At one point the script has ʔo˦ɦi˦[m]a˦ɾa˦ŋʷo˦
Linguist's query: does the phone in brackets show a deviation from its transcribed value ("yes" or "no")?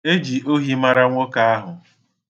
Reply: no